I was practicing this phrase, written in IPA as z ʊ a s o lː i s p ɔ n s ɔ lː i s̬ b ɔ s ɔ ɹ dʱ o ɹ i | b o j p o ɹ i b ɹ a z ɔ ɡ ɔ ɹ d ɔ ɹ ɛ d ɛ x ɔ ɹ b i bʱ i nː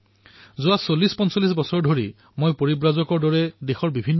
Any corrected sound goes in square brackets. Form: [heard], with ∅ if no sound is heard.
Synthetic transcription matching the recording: z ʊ a s o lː i s p ɔ n s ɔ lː i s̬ b ɔ s ɔ ɹ dʱ o ɹ i | [m] o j p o ɹ i b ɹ a z ɔ [k] ɔ ɹ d ɔ ɹ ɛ d [e] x ɔ ɹ b i bʱ i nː